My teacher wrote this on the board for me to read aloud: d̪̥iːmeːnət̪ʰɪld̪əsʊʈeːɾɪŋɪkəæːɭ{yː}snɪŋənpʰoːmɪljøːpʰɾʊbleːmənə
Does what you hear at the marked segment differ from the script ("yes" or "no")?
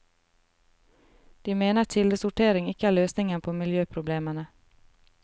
yes